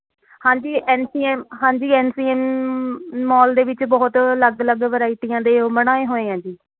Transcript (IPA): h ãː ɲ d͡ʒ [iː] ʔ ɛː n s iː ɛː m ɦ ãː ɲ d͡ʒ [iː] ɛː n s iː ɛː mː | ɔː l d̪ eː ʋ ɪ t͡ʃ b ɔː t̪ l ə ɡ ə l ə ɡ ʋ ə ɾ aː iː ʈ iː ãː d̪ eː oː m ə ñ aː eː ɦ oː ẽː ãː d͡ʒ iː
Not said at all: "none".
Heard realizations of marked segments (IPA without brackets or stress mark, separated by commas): iː, iː